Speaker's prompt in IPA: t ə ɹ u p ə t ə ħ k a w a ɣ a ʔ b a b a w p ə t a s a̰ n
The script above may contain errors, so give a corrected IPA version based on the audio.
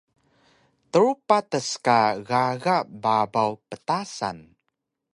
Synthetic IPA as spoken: t ə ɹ u p a t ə s k a ɣ a ɣ a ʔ b a b a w p ə t a s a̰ n